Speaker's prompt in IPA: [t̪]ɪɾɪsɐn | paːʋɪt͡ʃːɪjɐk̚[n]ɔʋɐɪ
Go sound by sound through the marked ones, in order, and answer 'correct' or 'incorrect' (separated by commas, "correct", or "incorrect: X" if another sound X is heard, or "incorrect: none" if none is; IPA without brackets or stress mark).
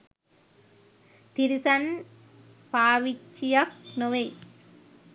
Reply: correct, correct